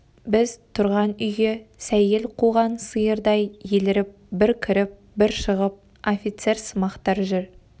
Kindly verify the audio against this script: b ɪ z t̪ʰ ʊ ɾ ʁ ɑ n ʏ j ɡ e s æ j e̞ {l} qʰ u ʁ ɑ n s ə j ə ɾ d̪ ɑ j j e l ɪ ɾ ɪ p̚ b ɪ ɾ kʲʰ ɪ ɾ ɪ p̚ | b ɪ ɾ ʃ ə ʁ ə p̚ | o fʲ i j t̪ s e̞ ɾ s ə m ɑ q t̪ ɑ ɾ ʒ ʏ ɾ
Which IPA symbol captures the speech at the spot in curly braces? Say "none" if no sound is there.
l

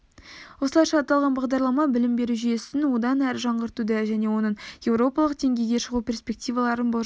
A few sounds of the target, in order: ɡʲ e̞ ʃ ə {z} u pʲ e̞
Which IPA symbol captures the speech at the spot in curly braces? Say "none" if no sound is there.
ʁ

